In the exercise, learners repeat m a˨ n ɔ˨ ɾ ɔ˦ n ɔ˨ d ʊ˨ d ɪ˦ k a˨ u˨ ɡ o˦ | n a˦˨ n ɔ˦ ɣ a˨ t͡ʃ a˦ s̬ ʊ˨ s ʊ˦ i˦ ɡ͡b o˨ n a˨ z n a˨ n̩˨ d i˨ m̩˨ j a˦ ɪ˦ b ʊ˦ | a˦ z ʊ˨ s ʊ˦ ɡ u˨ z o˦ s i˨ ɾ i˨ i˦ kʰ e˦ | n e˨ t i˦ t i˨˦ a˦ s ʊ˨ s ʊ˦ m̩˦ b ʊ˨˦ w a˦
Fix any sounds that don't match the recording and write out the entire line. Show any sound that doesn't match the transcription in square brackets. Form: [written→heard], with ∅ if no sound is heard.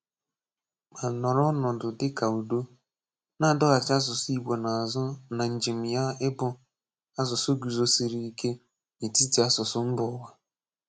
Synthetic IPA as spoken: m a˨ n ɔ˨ ɾ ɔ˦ n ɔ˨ d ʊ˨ d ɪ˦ k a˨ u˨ [ɡ→d] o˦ | n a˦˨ [n→d] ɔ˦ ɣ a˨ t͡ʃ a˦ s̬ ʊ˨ s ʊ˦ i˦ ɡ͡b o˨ n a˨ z n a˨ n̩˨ [d→d͡ʒ] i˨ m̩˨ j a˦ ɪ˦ b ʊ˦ | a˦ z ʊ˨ s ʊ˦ ɡ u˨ z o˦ s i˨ ɾ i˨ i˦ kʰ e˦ | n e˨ t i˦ t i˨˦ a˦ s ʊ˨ s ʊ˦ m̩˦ b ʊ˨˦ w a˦

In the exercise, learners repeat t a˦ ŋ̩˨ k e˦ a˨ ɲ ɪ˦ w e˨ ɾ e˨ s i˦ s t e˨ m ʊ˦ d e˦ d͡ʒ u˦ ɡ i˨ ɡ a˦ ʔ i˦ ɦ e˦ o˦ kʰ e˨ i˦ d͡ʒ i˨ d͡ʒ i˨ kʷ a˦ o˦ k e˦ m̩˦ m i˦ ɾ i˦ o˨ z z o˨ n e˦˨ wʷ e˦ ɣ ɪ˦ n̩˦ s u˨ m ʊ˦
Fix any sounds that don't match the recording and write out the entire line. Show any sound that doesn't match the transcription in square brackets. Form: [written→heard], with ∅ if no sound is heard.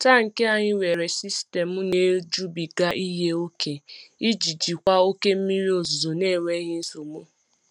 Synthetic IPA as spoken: t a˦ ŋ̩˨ k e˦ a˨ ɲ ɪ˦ w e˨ ɾ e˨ s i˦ s t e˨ m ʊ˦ [d→n] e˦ d͡ʒ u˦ [ɡ→b] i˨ ɡ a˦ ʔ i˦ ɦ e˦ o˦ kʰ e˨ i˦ d͡ʒ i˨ d͡ʒ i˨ kʷ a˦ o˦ k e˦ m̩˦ m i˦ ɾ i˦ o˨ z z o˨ n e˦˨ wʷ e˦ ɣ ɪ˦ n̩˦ s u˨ m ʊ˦

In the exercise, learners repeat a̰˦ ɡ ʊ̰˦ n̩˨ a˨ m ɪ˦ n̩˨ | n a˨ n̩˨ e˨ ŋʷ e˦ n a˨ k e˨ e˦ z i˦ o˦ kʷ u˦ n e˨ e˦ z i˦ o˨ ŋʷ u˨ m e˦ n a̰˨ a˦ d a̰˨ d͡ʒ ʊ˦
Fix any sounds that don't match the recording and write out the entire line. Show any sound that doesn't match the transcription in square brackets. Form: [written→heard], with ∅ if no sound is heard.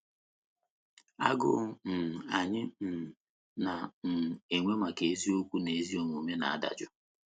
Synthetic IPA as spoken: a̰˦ ɡ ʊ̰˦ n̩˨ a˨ [m→ɲ] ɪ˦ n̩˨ | n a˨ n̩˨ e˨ ŋʷ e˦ [n→m] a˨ k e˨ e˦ z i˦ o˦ kʷ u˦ n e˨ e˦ z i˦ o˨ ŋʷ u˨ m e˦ n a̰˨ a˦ d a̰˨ d͡ʒ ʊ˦

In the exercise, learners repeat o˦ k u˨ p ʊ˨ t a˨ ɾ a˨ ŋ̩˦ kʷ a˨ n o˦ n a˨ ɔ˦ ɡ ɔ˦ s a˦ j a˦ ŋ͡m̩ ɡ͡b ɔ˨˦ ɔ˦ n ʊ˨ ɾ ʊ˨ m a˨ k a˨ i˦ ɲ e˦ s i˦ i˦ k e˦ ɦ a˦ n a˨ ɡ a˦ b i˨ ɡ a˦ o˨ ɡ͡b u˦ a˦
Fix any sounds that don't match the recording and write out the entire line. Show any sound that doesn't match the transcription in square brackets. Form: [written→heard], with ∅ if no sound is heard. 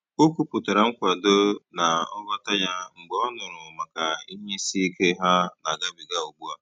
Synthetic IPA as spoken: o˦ k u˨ p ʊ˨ t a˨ ɾ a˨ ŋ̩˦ kʷ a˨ [n→d] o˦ n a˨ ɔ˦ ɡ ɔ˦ [s→t] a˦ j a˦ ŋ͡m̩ ɡ͡b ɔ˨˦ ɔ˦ n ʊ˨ ɾ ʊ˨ m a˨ k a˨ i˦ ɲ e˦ s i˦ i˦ k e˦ ɦ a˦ n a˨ ɡ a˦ b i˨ ɡ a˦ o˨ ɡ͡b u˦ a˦

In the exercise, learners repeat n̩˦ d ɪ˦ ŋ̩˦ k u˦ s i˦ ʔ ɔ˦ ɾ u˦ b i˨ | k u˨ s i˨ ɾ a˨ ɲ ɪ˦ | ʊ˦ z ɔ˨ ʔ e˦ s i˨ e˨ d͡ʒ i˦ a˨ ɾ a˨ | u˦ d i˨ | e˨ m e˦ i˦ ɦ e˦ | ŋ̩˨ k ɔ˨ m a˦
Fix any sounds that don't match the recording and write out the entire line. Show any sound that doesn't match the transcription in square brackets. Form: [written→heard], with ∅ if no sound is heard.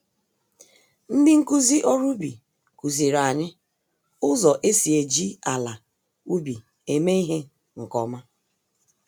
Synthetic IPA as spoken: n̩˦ d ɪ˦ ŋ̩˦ k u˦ [s→z] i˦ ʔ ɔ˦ ɾ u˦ b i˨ | k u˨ [s→z] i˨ ɾ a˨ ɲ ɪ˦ | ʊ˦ z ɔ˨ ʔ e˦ s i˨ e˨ d͡ʒ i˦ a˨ [ɾ→l] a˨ | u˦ [d→b] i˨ | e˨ m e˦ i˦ ɦ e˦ | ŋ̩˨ k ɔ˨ m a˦

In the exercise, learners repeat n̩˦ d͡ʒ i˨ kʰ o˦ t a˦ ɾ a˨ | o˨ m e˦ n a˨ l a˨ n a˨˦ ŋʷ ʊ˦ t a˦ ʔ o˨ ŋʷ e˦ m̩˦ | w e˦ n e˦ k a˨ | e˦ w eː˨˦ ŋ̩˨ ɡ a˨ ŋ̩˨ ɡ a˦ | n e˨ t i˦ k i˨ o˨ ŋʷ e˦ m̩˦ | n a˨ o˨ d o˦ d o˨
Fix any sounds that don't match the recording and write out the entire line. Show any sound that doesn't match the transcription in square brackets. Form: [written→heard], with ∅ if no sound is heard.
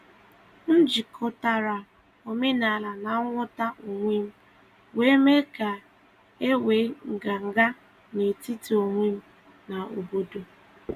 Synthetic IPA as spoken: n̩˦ d͡ʒ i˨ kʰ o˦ t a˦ ɾ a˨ | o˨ m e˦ n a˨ l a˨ n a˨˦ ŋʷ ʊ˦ t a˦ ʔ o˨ ŋʷ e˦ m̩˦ | w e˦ [n→m] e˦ k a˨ | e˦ w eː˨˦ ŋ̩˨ ɡ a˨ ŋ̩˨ ɡ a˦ | n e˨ t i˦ [k→t] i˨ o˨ ŋʷ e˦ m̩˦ | n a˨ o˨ [d→b] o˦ d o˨

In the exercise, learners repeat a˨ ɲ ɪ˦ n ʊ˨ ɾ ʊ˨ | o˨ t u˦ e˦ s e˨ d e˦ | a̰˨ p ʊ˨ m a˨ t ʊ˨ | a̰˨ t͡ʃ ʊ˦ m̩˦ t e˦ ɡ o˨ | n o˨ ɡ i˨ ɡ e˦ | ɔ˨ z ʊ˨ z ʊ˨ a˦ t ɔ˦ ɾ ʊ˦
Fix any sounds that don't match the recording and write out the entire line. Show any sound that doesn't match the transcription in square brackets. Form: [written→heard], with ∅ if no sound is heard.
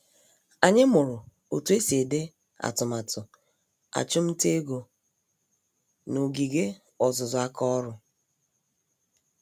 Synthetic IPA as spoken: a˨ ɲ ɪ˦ [n→m] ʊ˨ ɾ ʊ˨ | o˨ t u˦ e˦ s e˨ d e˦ | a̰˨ [p→t] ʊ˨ m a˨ t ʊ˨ | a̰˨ t͡ʃ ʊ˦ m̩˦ t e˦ ɡ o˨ | n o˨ ɡ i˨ ɡ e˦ | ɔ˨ z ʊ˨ z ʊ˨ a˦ [t→k] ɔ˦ ɾ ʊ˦

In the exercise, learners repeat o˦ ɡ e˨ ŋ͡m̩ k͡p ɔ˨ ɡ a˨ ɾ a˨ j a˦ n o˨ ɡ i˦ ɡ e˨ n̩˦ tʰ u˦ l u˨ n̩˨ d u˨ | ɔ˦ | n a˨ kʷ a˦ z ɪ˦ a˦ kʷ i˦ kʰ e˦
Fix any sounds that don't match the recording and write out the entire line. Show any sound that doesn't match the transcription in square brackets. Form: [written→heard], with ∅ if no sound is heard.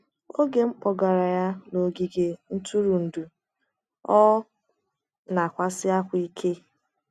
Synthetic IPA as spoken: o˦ ɡ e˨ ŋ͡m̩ k͡p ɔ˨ ɡ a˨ ɾ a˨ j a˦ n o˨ ɡ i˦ ɡ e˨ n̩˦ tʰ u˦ [l→ɾ] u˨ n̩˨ d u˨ | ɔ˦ | n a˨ kʷ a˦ [z→s] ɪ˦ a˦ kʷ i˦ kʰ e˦

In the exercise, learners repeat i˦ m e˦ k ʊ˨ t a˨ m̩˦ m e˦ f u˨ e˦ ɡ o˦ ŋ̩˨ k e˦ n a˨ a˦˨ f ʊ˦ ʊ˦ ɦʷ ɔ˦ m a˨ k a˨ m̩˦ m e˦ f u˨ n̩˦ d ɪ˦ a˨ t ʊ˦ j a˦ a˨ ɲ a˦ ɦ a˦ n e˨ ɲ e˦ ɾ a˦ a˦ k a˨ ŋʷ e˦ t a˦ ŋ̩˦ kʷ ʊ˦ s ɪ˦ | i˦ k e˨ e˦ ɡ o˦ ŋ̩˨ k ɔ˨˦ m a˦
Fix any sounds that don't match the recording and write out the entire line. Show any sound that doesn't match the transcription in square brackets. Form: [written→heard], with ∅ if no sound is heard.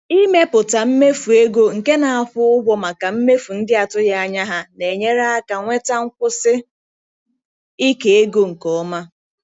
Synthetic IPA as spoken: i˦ m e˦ [k→p] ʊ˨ t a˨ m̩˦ m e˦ f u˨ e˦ ɡ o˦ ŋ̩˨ k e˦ n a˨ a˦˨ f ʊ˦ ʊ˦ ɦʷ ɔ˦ m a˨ k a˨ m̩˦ m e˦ f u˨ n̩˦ d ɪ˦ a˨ t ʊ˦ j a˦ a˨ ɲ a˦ ɦ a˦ n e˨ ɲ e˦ ɾ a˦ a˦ k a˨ ŋʷ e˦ t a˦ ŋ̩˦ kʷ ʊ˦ s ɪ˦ | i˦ k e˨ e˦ ɡ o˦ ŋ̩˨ k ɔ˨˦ m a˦

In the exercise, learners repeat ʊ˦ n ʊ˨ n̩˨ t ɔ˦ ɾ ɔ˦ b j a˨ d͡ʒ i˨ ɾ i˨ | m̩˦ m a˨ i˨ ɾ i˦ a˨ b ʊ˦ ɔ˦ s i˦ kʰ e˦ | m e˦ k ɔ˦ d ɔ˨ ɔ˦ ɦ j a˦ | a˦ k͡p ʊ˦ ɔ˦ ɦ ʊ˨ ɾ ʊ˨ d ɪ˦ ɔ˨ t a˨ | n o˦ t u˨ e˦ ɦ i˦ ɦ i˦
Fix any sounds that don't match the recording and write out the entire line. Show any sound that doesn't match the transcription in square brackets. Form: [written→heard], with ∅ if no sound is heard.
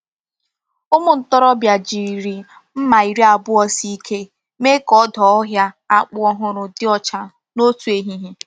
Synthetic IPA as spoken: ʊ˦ [n→m] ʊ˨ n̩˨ t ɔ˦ ɾ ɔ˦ b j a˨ d͡ʒ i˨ ɾ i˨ | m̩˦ m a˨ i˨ ɾ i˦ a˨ b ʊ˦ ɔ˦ s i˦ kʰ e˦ | m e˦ k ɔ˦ d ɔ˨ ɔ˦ ɦ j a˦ | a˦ k͡p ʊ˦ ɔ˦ ɦ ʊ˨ ɾ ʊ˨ d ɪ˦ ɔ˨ [t→t͡ʃ] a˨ | n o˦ t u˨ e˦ ɦ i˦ ɦ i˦

